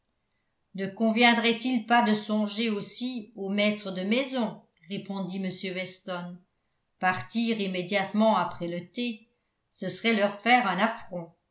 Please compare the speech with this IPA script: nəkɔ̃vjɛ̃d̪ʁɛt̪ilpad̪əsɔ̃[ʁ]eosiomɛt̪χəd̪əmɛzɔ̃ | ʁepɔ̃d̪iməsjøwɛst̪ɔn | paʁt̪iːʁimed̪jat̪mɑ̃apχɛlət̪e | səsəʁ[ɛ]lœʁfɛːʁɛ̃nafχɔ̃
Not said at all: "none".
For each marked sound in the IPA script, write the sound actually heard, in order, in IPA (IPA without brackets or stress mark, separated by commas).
ʒ, ɛ